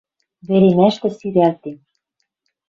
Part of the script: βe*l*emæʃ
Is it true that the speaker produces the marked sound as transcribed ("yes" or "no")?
no